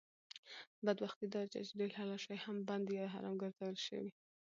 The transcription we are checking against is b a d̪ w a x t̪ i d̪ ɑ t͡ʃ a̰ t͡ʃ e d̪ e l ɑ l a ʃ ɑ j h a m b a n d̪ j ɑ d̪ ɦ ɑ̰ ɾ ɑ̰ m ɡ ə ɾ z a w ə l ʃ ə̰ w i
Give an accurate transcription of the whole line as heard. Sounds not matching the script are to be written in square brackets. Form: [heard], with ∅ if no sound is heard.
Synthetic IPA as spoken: b a d̪ w a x t̪ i d̪ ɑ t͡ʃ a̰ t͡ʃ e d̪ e l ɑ l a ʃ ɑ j h a m b a n d̪ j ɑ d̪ ɦ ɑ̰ ɾ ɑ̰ m ɡ ə ɾ z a w ə l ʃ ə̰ w i

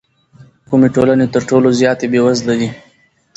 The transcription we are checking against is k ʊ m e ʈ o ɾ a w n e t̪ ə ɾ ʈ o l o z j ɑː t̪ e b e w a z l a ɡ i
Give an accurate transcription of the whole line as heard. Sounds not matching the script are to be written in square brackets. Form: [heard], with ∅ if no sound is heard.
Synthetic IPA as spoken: k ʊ m e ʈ o [l] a [∅] n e t̪ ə ɾ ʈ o l o z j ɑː t̪ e b e w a z l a ɡ i

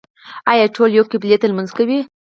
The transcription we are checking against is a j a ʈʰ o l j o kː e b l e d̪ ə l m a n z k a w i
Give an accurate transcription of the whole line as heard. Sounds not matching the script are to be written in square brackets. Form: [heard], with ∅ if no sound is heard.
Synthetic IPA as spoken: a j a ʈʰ o l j o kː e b l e [t̪] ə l m a n z k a w i

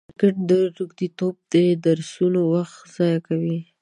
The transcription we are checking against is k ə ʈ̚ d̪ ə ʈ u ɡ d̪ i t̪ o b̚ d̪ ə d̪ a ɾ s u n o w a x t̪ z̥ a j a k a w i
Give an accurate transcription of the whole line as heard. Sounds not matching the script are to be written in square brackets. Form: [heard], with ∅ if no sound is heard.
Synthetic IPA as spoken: k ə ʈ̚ d̪ ə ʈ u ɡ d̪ i t̪ o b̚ d̪ ə d̪ a ɾ s u n o w a x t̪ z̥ [ɑ] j a k a w i

